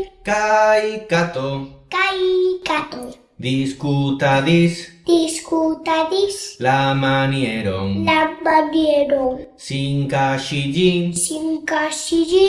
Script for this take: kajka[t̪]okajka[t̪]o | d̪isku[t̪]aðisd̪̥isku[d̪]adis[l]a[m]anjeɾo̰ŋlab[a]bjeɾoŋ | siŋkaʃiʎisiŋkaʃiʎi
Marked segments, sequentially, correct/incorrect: correct, correct, correct, incorrect, correct, correct, correct

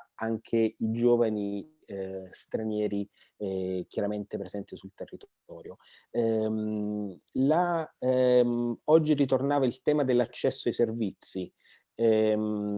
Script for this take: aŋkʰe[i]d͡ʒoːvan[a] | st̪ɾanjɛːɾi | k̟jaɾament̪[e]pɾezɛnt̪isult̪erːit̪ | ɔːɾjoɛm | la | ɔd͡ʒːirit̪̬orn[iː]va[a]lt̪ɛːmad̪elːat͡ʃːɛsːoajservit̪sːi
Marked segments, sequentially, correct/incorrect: correct, incorrect, correct, incorrect, incorrect

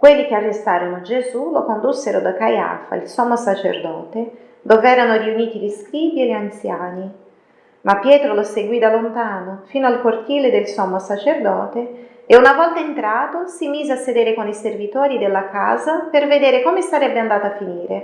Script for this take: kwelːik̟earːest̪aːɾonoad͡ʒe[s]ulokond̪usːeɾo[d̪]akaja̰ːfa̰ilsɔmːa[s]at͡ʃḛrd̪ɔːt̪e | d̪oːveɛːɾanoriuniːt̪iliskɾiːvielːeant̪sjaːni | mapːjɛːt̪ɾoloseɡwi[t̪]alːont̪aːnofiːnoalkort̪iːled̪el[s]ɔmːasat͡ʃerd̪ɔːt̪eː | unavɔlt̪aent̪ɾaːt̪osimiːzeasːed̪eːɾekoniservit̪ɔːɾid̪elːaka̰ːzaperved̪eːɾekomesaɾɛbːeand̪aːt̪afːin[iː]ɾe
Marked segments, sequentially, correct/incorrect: incorrect, correct, correct, incorrect, correct, correct

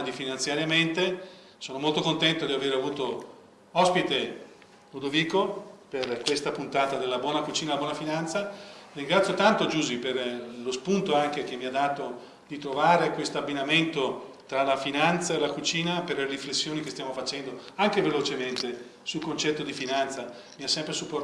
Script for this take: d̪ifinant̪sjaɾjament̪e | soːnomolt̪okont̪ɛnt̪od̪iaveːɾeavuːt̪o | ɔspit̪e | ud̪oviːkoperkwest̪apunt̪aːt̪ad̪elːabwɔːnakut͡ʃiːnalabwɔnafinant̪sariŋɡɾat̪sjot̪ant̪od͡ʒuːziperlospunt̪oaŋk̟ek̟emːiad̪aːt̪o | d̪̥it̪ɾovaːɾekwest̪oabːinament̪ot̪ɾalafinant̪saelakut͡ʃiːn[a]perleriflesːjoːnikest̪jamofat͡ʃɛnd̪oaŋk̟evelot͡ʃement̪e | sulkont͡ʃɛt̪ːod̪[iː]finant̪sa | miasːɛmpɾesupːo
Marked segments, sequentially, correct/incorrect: correct, incorrect

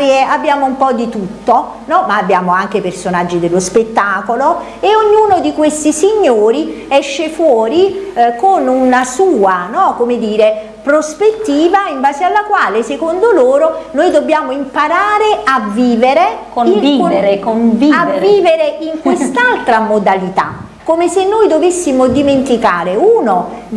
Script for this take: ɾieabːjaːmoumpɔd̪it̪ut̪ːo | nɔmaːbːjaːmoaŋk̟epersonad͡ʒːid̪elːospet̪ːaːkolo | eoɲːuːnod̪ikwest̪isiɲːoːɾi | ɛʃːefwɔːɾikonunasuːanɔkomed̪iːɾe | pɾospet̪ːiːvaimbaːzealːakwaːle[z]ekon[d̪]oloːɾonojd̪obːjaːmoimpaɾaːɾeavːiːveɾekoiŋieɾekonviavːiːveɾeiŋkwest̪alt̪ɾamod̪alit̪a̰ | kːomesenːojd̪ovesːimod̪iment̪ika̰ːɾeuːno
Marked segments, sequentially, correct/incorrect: incorrect, correct

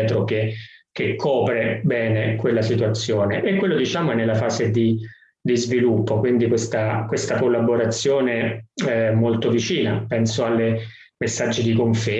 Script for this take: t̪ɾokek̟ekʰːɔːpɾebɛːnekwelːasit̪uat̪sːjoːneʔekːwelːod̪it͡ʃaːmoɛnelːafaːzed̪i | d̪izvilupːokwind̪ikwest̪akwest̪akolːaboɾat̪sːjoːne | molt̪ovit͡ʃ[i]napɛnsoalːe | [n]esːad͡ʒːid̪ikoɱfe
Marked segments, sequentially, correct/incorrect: incorrect, incorrect

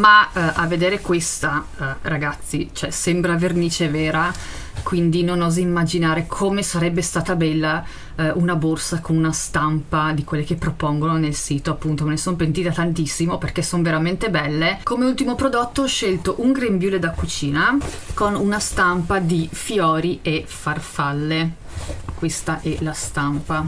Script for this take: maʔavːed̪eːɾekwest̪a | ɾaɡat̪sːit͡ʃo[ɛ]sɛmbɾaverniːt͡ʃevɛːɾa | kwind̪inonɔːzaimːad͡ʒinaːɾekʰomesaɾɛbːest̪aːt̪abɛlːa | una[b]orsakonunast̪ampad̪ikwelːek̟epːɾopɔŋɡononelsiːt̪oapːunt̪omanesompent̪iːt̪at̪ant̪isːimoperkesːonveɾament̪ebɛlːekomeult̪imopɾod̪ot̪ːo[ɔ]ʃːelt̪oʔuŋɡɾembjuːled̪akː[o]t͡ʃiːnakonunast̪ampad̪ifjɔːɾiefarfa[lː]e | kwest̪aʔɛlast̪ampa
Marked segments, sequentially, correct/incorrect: correct, correct, correct, incorrect, correct

